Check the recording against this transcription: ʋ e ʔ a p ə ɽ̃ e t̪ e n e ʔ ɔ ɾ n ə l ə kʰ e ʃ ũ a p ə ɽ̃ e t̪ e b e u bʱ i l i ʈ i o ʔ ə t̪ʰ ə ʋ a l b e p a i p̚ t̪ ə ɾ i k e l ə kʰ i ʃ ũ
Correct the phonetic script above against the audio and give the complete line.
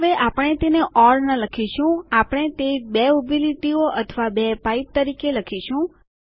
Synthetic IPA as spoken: ʋ e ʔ a p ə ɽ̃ e t̪ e n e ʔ ɔ ɾ n ə l ə kʰ i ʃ ũ a p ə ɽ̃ e t̪ e b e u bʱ i l i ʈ i o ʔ ə t̪ʰ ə ʋ a b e p a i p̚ t̪ ə ɾ i k e l ə kʰ i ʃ ũ